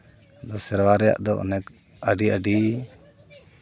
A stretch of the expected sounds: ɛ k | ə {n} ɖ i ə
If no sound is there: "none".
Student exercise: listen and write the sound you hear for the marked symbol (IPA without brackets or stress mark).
none